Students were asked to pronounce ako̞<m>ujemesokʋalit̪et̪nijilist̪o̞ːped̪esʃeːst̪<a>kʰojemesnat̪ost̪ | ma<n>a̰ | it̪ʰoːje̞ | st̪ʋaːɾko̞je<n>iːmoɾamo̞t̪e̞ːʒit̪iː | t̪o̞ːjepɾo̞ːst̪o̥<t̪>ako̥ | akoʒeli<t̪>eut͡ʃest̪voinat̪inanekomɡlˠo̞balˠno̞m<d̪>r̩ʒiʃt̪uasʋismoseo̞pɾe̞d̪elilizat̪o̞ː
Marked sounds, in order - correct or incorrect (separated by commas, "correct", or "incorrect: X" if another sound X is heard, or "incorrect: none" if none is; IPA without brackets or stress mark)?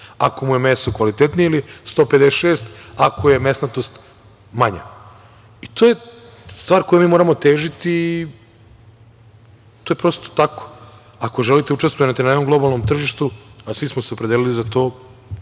correct, correct, incorrect: ɲ, incorrect: m, correct, correct, incorrect: t̪